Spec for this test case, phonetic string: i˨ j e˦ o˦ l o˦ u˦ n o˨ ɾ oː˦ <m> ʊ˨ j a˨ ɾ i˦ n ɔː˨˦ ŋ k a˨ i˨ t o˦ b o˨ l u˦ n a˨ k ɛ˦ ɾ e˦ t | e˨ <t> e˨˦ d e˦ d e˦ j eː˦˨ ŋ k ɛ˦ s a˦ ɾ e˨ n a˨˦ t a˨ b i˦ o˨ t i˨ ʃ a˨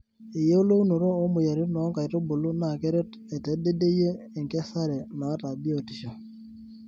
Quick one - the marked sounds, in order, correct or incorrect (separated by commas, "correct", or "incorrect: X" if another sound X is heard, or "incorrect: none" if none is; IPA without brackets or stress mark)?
correct, correct